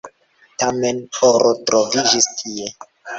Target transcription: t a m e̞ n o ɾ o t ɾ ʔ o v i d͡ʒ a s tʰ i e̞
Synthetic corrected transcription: t a m e̞ n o ɾ o t ɾ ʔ o v i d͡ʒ i s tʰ i e̞

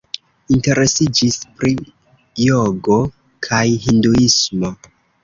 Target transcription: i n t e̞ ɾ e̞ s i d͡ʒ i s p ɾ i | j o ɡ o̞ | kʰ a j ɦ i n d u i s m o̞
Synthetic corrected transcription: i n t e̞ ɾ e̞ s i d͡ʒ i s p ɾ i | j o ɡ o̞ | kʰ a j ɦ i n d u i s m o̞

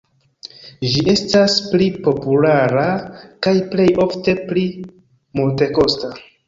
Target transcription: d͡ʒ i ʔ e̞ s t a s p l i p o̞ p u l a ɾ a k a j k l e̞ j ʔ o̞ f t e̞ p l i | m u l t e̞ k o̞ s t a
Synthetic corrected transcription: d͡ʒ i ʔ e̞ s t a s p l i p o̞ p u l a ɾ a k a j p l e̞ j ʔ o̞ f t e̞ p l i | m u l t e̞ k o̞ s t a

